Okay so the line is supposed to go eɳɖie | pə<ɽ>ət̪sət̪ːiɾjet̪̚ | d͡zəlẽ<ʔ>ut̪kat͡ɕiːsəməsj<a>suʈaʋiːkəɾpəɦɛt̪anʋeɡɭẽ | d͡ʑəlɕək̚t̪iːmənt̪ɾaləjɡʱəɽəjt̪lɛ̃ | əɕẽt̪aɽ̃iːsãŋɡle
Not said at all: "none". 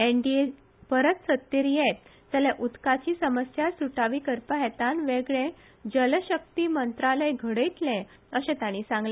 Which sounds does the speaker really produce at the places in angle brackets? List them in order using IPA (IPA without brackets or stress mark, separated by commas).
ɾ, ʔ, a